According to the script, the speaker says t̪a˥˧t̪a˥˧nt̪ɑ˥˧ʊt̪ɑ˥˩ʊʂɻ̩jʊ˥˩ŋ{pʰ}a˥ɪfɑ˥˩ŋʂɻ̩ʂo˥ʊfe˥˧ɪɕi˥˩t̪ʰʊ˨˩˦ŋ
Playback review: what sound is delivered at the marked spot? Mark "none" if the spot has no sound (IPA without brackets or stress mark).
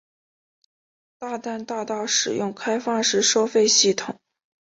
kʰ